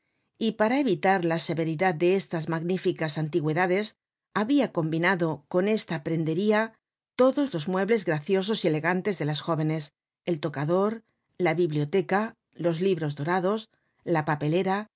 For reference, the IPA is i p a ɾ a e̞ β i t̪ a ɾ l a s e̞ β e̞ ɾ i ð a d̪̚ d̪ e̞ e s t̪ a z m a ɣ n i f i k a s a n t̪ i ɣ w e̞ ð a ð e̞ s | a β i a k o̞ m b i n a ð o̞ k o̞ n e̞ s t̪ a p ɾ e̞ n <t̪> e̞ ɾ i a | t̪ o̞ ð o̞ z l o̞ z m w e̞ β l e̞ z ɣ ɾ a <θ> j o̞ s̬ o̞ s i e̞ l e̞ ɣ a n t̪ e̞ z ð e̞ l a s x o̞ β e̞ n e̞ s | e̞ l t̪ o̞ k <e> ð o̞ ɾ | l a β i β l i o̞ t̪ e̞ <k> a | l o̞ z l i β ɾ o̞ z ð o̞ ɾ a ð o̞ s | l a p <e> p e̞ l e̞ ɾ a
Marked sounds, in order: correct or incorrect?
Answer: incorrect: d̪, correct, incorrect: a, correct, incorrect: a

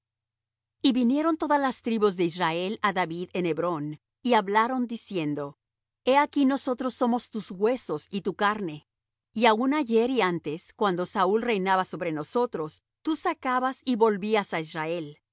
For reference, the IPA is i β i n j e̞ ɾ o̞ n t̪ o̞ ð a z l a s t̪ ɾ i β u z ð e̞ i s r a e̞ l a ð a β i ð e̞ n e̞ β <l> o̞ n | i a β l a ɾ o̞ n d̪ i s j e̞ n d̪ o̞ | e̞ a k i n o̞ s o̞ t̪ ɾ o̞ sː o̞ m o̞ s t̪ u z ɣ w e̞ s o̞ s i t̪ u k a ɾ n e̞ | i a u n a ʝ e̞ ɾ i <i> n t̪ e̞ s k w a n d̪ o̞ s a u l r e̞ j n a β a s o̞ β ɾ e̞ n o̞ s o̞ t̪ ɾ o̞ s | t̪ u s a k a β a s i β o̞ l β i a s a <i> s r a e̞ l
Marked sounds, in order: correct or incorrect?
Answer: incorrect: ɾ, incorrect: a, correct

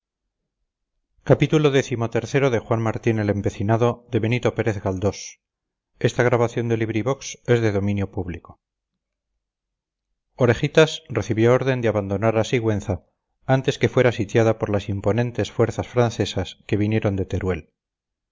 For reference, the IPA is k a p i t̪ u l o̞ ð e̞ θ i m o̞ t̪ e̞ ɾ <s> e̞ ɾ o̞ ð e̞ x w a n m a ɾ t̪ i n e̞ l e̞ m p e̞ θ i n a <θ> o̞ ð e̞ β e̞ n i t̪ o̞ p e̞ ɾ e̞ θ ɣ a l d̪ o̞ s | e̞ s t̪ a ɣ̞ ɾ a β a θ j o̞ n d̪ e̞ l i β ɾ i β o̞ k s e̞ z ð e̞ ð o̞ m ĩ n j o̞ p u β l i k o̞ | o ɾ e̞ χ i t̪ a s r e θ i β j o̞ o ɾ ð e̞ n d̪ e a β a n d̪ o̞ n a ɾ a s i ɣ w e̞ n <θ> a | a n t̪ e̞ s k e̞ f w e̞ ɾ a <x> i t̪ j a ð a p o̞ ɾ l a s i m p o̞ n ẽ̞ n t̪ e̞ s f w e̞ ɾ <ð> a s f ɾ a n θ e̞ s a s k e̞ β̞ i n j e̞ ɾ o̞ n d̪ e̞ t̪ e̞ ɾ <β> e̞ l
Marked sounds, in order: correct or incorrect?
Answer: incorrect: θ, incorrect: ð, correct, incorrect: s, incorrect: θ, incorrect: w

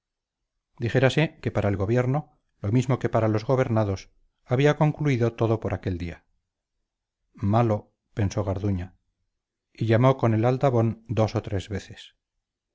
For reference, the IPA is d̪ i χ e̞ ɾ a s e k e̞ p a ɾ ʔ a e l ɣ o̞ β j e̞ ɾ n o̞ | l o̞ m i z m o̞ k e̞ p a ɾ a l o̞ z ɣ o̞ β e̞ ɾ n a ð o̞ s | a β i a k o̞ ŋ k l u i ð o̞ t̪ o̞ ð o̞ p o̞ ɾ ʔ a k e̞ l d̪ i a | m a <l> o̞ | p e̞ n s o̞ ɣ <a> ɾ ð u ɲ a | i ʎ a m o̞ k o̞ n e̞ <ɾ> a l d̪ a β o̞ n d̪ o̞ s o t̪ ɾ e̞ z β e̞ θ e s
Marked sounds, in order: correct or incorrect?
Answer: correct, correct, incorrect: l

